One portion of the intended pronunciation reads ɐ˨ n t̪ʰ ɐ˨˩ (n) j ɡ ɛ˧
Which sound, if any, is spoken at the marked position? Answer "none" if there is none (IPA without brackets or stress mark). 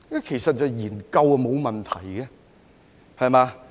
none